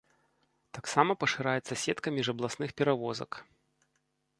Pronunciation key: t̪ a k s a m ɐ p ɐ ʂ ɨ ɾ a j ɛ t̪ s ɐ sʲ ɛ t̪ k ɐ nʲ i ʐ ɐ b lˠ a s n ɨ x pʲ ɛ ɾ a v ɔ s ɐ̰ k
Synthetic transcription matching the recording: t̪ a k s a m ɐ p ɐ ʂ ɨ ɾ a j ɛ t̪ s ɐ sʲ ɛ t̪ k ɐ mʲ i ʐ ɐ b lˠ a s n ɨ x pʲ ɛ ɾ a v ɔ z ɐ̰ k